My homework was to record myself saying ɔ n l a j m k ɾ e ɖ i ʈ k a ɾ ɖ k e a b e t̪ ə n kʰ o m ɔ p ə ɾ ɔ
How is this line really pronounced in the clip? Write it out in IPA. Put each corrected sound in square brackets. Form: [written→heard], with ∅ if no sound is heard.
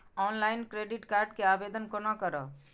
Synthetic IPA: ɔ n l a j [m→n] k ɾ e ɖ i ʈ k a ɾ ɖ k e a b e [t̪→d̪] ə n [kʰ→k] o [m→n] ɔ [p→k] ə ɾ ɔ